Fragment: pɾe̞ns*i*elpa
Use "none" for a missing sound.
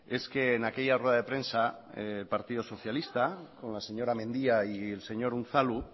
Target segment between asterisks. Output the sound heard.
a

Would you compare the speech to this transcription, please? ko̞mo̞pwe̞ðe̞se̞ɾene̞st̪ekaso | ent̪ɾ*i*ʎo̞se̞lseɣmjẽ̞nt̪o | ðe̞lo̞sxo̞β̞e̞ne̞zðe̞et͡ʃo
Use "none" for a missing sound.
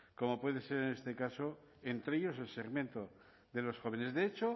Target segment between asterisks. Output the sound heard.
e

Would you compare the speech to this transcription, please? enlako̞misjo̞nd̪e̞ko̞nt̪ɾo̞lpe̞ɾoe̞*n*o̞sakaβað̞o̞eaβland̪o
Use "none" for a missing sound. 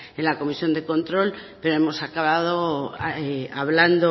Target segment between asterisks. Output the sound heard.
m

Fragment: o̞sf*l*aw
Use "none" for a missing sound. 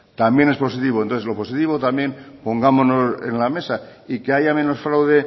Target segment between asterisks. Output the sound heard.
ɾ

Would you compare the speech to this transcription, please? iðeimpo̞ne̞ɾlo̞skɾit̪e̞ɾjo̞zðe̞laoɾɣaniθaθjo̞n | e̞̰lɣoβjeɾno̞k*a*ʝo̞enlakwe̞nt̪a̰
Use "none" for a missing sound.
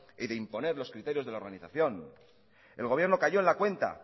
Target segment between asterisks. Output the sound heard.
a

